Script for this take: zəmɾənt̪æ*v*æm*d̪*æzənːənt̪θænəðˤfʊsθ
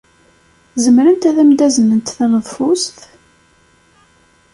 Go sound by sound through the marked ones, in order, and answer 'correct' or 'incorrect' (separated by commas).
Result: incorrect, correct